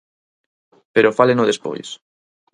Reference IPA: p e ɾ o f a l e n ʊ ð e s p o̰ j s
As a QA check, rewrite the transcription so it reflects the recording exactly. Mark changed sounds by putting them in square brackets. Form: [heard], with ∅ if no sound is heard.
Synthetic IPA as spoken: p e ɾ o f a l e n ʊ ð e s p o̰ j s

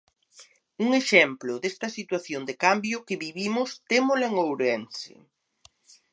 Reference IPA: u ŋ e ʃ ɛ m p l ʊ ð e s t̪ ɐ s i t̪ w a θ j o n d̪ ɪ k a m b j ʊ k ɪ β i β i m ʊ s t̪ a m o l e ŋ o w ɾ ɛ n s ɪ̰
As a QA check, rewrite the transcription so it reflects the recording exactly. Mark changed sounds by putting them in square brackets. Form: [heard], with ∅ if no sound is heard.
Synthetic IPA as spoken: u ŋ e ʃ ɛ m p l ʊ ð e s t̪ ɐ s i t̪ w a θ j o n d̪ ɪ k a m b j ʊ k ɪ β i β i m ʊ s t̪ [e] m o l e ŋ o w ɾ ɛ n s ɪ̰

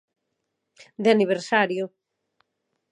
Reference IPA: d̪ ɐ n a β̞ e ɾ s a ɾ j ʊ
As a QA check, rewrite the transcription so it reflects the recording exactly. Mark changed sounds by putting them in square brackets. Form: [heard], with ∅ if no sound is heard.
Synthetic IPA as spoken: d̪ [a] n [i] β̞ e ɾ s a ɾ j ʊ

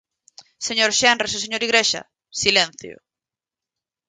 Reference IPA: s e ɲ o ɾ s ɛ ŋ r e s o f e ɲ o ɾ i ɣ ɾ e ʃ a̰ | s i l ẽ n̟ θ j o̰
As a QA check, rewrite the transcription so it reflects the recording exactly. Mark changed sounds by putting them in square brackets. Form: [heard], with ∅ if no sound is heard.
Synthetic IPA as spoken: s e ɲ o ɾ [ʃ] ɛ [n] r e s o [s] e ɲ o ɾ i ɣ ɾ e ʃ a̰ | s i l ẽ n̟ θ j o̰

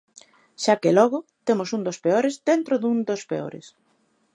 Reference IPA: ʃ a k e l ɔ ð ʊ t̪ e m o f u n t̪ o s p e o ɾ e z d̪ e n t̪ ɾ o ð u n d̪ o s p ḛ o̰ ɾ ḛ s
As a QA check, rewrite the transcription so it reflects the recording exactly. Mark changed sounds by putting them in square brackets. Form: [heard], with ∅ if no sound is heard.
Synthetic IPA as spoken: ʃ a k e l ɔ [ɣ] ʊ t̪ e m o [s] u n [d̪] o s p e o ɾ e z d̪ e n t̪ ɾ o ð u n d̪ o s p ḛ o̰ ɾ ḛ s

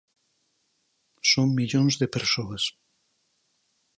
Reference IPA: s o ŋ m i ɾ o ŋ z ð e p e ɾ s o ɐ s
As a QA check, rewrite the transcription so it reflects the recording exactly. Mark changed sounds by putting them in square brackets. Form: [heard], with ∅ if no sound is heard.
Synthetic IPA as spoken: s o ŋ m i [ʎ] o [n] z ð e p e ɾ s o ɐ s

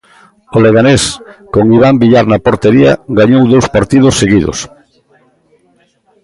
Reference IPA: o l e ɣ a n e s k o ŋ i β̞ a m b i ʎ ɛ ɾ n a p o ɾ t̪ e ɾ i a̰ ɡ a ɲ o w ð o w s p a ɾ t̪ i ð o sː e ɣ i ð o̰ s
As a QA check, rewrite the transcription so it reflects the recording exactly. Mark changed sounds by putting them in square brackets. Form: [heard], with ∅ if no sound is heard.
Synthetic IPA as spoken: o l e ɣ a n e s k o ŋ i β̞ a m b i ʎ [a] ɾ n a p o ɾ t̪ e ɾ i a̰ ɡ a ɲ o w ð o w s p a ɾ t̪ i ð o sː e ɣ i ð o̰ s

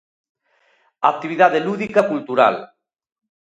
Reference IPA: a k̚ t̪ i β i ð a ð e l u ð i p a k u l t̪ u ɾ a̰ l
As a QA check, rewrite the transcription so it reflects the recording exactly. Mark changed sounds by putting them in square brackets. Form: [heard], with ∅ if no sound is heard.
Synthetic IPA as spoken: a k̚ t̪ i β i ð a ð e l u ð i [k] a k u l t̪ u ɾ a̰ l

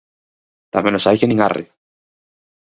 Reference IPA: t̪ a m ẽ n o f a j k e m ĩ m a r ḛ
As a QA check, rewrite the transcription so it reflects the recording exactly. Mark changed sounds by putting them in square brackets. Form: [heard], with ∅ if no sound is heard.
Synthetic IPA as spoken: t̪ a m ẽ n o [s] a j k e [n] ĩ [ŋ] a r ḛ

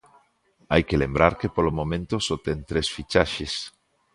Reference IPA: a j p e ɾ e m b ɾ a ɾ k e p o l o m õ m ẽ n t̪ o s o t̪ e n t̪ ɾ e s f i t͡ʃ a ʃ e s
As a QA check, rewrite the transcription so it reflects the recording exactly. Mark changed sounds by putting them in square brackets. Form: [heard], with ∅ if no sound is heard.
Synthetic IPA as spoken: a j [k] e [l] e m b ɾ a ɾ k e p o l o m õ m ẽ n t̪ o s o t̪ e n t̪ ɾ e s f i t͡ʃ a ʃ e s

